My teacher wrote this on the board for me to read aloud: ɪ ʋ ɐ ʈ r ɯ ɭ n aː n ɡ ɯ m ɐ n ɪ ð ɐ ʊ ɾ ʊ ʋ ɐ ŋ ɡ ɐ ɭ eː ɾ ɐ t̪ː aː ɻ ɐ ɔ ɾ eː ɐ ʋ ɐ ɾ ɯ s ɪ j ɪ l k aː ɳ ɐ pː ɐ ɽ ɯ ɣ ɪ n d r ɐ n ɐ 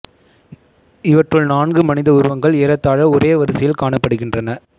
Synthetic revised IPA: ɪ ʋ ɐ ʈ r ɯ ɭ n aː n ɡ ɯ m ɐ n ɪ ð ɐ ʊ ɾ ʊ ʋ ɐ ŋ ɡ ɐ ɭ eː ɾ ɐ t̪ː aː ɻ ɐ ɔ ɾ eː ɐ ʋ ɐ ɾ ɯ s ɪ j ɪ l k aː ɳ ɐ pː ɐ ɽ ɯ ɣ ɪ n d r ɐ n ɐ